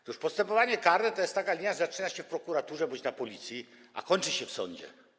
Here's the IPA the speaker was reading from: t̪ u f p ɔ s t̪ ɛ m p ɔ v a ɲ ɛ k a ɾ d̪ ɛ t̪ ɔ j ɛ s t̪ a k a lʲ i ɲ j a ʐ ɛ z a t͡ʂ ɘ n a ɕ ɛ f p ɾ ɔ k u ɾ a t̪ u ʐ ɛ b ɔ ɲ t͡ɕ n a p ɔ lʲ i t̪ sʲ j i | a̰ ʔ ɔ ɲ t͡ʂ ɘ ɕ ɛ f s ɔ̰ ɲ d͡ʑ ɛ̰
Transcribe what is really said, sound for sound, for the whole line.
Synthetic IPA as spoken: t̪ u ʂ p ɔ s t̪ ɛ m p ɔ v a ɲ ɛ k a ɾ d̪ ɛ t̪ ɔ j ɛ s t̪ a k a lʲ i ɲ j a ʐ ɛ z a t͡ʂ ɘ n a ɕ ɛ f p ɾ ɔ k u ɾ a t̪ u ʐ ɛ b ɔ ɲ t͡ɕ n a p ɔ lʲ i t̪ sʲ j i | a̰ k ɔ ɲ t͡ʂ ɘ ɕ ɛ f s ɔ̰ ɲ d͡ʑ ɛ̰